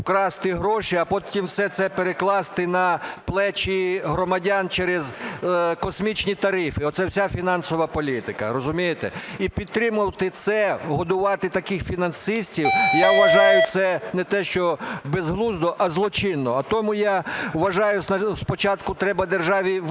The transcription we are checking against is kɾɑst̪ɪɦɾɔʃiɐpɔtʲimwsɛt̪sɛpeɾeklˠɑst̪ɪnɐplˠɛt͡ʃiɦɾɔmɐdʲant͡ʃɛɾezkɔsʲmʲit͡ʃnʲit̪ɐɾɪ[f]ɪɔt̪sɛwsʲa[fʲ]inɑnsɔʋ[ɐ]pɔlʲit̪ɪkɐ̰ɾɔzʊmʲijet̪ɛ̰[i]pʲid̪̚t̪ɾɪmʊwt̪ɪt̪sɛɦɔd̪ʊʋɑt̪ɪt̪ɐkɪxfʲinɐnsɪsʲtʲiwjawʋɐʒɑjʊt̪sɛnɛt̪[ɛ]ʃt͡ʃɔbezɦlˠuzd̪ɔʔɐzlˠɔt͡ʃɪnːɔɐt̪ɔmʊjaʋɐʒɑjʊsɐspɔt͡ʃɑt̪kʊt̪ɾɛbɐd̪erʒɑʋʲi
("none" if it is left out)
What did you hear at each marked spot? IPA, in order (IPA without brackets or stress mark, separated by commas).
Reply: f, fʲ, ɐ, i, ɛ